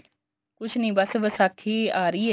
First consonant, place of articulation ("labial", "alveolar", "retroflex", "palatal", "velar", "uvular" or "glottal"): velar